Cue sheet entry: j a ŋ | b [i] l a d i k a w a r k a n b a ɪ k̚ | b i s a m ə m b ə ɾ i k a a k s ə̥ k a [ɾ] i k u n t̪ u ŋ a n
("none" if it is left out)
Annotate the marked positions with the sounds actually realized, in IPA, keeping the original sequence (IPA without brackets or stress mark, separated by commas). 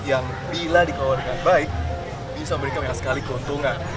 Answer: i, l